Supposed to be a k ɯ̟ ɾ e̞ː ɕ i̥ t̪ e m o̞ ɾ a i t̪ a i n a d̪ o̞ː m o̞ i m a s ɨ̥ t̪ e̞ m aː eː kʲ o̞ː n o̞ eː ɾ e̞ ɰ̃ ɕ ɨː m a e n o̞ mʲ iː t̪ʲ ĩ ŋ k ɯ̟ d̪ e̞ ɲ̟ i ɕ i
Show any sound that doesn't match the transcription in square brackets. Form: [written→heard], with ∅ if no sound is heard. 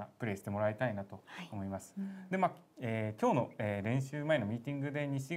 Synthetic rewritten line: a [k→p] ɯ̟ ɾ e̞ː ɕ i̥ t̪ e m o̞ ɾ a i t̪ a i n a [d̪→t̪] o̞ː m o̞ i m a s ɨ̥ [t̪→d̪] e̞ m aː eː kʲ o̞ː n o̞ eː ɾ [e̞→ẽ̞] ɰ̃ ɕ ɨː m a e n o̞ mʲ iː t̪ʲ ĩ ŋ [k→ɡ] ɯ̟ d̪ e̞ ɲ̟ i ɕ i